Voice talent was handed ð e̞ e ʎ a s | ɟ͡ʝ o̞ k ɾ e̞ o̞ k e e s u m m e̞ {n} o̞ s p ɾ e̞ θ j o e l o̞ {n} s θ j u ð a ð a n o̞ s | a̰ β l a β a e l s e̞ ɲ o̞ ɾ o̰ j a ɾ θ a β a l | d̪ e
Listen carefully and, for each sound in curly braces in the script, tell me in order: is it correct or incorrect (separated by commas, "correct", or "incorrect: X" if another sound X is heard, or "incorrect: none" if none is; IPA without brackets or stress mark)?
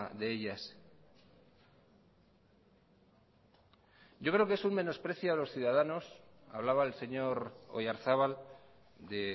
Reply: correct, incorrect: none